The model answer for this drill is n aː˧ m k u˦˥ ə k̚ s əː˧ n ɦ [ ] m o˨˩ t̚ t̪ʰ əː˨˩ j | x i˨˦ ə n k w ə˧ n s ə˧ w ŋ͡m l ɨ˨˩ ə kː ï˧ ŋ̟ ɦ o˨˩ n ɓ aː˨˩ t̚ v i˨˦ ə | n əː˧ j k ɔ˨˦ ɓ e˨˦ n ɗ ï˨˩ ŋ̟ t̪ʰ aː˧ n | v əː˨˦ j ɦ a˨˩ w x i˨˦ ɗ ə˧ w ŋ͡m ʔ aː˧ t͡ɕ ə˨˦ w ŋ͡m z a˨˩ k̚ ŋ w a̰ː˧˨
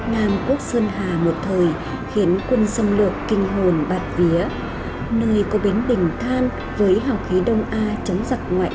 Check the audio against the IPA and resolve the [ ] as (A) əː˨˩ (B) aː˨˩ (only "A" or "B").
B